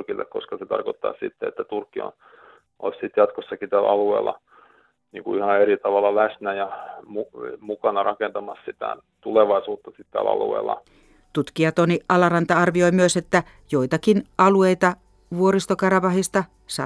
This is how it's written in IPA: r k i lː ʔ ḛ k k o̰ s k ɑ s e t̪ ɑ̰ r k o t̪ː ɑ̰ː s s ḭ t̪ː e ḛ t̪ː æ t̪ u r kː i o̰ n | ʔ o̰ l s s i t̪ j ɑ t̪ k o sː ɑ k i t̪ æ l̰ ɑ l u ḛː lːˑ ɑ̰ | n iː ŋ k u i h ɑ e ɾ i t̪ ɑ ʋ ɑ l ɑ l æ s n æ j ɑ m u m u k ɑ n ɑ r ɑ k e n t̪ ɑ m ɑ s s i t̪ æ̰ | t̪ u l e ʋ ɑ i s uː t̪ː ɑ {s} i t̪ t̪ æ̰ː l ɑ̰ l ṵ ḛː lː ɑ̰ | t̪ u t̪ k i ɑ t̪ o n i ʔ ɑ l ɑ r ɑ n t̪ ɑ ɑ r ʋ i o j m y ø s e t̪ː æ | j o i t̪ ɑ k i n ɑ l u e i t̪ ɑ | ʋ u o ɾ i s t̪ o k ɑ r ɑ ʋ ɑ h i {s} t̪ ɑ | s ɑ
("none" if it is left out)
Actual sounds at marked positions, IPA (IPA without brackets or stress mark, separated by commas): s, s